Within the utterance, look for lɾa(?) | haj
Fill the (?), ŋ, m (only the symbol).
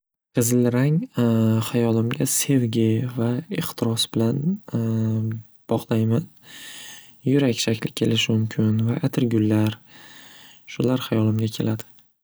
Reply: ŋ